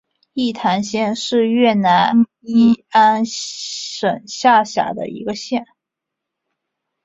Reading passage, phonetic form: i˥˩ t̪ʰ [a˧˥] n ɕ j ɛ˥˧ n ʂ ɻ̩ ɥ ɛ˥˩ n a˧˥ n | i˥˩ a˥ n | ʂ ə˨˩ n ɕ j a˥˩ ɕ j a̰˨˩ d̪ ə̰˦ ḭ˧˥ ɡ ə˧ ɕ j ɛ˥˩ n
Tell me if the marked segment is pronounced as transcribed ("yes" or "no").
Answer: yes